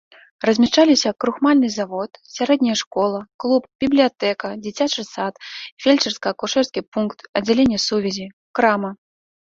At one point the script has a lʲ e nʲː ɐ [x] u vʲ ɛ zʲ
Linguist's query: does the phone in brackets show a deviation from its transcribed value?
yes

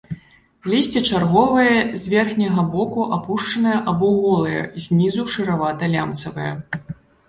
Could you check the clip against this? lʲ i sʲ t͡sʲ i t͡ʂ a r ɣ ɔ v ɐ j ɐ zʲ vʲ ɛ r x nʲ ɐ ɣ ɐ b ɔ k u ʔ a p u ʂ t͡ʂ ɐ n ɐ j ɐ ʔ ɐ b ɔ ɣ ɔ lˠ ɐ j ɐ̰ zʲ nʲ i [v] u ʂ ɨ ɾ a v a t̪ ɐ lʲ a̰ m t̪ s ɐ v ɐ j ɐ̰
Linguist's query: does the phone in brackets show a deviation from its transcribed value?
yes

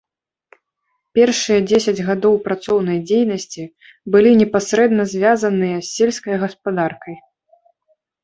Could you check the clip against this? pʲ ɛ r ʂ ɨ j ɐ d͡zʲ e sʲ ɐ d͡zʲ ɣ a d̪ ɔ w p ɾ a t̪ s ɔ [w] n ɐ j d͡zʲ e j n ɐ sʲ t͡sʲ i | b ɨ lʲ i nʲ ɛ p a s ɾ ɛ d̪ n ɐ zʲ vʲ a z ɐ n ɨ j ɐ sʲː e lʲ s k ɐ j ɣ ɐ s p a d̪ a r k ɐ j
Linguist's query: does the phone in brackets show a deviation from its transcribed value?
no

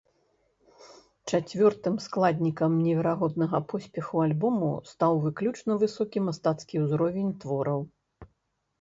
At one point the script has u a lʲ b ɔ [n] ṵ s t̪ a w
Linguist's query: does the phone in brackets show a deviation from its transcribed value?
yes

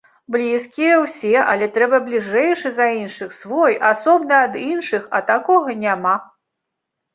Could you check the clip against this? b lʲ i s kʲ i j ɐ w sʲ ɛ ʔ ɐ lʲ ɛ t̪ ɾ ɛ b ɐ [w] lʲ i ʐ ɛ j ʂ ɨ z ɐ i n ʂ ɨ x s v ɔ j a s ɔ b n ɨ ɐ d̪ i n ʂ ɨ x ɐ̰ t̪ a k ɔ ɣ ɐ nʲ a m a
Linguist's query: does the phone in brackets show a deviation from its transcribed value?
yes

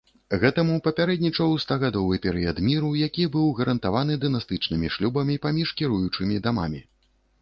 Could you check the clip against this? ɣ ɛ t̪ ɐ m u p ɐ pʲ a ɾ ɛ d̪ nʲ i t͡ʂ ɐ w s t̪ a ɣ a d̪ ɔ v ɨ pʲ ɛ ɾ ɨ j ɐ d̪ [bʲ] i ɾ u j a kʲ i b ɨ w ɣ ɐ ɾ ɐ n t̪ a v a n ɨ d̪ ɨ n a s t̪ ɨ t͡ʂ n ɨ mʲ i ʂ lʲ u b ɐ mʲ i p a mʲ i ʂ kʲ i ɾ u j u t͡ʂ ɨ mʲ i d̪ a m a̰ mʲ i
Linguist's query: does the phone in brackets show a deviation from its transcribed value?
yes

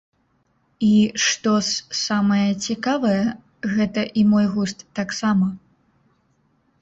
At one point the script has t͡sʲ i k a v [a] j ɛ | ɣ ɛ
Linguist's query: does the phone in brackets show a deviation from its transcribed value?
yes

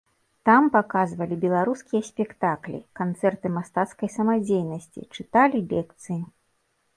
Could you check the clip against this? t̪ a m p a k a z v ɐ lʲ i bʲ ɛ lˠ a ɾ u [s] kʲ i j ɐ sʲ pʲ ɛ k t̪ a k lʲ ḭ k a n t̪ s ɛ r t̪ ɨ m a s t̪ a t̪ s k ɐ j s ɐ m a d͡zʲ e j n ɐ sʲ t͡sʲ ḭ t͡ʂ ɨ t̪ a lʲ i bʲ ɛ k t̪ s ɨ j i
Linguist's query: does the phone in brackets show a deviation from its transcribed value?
no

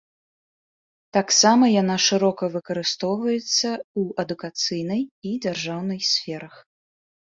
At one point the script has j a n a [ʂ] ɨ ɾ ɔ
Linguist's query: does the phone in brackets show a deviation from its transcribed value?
no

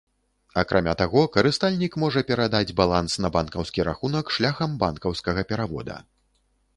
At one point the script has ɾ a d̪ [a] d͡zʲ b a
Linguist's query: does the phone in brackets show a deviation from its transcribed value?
no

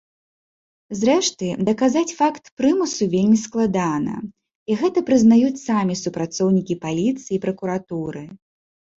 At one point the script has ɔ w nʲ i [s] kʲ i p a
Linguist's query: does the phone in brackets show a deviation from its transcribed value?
yes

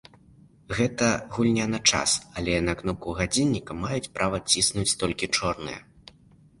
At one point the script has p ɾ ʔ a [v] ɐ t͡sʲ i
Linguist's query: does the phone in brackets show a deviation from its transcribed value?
no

